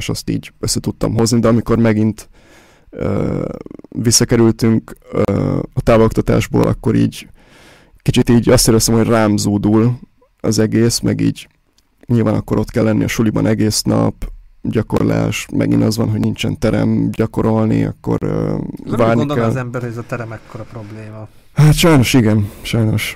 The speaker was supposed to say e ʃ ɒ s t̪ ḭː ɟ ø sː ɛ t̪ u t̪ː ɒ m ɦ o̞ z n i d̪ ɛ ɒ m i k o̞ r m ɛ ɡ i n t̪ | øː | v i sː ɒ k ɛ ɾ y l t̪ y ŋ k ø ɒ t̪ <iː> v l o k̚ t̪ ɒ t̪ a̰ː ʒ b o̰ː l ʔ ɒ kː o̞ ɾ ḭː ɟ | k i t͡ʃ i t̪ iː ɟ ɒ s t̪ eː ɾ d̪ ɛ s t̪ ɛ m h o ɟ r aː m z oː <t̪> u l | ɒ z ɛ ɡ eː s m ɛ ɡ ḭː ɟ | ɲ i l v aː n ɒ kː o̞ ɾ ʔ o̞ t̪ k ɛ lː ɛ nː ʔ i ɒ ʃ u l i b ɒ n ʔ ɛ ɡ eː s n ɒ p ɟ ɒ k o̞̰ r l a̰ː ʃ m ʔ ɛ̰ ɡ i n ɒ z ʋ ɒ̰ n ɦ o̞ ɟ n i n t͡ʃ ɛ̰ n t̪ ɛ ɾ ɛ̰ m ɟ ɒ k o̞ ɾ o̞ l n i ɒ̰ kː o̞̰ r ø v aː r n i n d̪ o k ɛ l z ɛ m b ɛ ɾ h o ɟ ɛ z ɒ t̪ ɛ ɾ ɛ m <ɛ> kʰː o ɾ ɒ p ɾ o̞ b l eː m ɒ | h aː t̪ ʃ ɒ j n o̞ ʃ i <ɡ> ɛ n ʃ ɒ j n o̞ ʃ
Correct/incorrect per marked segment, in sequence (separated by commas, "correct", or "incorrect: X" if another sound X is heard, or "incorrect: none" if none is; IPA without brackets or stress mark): incorrect: aː, incorrect: d̪, correct, correct